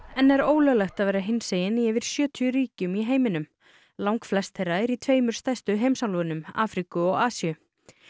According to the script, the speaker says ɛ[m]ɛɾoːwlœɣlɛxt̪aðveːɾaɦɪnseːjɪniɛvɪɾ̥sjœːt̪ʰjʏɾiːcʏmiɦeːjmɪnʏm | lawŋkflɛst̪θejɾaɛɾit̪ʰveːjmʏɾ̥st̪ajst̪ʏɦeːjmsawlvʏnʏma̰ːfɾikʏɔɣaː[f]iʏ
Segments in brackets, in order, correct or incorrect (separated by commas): incorrect, incorrect